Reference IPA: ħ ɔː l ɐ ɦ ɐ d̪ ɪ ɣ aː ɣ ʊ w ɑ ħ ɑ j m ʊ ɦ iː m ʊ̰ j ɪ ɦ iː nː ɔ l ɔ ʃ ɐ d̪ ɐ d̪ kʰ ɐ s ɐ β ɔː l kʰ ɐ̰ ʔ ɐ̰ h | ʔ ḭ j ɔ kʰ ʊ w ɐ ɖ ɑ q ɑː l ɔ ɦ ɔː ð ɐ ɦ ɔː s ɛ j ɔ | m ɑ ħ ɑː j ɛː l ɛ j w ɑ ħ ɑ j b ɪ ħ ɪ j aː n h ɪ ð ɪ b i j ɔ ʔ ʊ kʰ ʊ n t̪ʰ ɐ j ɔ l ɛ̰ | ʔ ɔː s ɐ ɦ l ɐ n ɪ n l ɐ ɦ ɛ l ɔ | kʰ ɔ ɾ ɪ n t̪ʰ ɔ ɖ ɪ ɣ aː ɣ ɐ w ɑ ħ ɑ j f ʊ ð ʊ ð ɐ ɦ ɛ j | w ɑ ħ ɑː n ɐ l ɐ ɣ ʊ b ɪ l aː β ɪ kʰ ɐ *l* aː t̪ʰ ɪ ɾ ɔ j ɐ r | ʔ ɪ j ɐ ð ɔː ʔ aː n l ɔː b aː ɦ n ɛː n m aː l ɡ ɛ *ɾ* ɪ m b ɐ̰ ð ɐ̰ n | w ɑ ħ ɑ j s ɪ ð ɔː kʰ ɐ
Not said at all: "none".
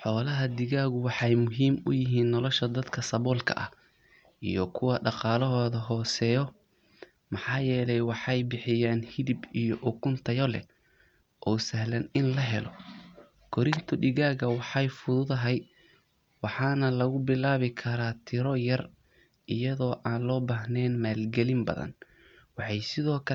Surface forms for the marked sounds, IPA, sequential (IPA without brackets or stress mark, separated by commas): ɾ, l